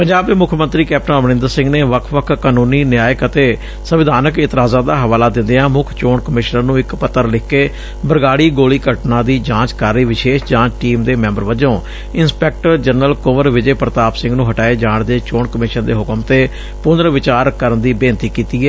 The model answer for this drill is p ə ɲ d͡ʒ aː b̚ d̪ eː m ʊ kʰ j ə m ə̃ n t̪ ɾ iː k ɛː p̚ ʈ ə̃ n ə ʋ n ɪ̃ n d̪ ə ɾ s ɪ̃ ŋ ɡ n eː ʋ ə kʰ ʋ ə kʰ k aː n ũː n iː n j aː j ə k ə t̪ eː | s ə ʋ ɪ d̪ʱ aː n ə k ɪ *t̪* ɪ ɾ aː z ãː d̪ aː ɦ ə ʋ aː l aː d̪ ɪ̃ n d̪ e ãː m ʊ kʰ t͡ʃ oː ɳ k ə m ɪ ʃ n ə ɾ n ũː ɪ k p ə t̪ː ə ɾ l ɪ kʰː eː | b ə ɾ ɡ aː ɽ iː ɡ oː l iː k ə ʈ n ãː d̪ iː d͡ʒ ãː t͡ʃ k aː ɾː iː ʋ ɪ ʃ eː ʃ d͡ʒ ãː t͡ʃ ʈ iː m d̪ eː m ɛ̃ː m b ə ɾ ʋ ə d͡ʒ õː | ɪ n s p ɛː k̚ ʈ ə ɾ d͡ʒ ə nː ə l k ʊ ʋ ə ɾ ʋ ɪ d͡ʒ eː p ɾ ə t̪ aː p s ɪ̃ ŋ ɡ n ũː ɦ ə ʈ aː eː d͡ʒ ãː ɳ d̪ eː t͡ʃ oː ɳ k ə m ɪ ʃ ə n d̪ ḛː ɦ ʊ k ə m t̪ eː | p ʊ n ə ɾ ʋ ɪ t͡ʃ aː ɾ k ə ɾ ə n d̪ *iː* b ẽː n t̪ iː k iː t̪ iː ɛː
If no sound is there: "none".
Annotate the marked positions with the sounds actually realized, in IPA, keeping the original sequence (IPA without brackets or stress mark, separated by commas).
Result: t̪, iː